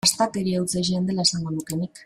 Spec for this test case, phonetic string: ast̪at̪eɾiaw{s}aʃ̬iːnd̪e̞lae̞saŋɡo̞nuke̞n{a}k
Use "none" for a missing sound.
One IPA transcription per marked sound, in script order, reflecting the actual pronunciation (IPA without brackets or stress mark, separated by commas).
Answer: t͡s, i